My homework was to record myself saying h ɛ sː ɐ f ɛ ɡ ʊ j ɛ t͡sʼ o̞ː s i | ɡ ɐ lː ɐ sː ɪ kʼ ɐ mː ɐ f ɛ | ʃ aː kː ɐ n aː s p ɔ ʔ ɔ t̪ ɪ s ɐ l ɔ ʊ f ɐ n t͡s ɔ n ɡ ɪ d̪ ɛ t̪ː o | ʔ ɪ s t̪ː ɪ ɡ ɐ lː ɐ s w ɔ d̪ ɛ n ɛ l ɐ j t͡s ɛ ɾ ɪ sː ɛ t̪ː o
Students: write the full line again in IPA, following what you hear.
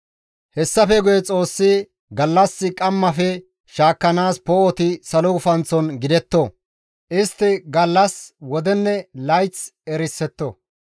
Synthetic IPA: h ɛ sː ɐ f ɛ ɡ ʊ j ɛ t͡sʼ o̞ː sː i | ɡ ɐ lː ɐ sː ɪ kʼ ɐ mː ɐ f ɛ | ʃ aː kː ɐ n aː s p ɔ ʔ ɔ t̪ ɪ s ɐ l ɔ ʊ f ɐ n t͡s ɔ n ɡ ɪ d̪ ɛ t̪ː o | ʔ ɪ s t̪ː ɪ ɡ ɐ lː ɐ s w ɔ d̪ ɛ nː ɛ l ɐ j t͡s ɛ ɾ ɪ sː ɛ t̪ː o

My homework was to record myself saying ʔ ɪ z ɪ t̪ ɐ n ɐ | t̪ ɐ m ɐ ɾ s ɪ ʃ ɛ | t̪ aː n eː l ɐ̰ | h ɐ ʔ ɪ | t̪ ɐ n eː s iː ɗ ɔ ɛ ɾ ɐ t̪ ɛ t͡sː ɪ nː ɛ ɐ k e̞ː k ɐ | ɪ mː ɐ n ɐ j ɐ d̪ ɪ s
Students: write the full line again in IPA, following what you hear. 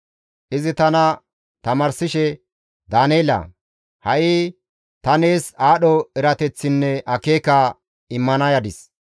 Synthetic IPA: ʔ ɪ z ɪ t̪ ɐ n ɐ | t̪ ɐ m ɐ ɾ s ɪ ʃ ɛ | d̪ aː n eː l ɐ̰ | h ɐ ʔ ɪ | t̪ ɐ n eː s aː ɗ ɔ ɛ ɾ ɐ t̪ ɛ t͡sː ɪ nː ɛ ɐ k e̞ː k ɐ | ɪ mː ɐ n ɐ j ɐ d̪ ɪ s

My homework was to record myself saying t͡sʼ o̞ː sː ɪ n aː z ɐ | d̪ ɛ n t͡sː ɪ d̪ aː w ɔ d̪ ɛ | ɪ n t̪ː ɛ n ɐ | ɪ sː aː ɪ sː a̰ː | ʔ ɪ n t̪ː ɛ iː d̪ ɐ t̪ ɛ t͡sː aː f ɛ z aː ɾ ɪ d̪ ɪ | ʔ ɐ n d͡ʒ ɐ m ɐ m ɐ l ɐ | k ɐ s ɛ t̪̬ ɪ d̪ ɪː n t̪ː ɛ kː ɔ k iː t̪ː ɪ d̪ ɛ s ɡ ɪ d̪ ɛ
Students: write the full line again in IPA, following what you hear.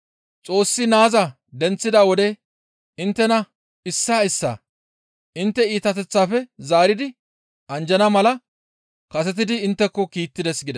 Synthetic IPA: t͡sʼ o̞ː sː ɪ n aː z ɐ | d̪ ɛ n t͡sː ɪ d̪ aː w ɔ d̪ ɛ | ɪ n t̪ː ɛ n ɐ | ɪ sː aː ɪ sː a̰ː | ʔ ɪ n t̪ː ɛ iː t̪ ɐ t̪ ɛ t͡sː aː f ɛ z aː ɾ ɪ d̪ ɪ | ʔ ɐ n d͡ʒ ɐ n ɐ m ɐ l ɐ | k ɐ s ɛ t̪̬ ɪ d̪ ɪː n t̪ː ɛ kː ɔ k iː t̪ː ɪ d̪ ɛ s ɡ ɪ d̪ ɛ

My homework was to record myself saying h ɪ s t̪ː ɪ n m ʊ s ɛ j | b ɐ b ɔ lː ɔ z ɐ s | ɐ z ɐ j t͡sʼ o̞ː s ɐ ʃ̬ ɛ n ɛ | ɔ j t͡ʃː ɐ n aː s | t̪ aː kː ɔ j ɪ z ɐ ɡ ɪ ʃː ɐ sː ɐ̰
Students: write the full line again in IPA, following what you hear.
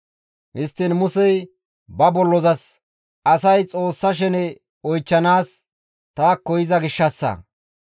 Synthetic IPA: h ɪ s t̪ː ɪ n m ʊ s ɛ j | b ɐ b ɔ lː ɔ z ɐ s | ɐ s ɐ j t͡sʼ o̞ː sː ɐ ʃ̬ ɛ n ɛ | ɔ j t͡ʃː ɐ n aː s | t̪ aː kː ɔ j ɪ z ɐ ɡ ɪ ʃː ɐ sː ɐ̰

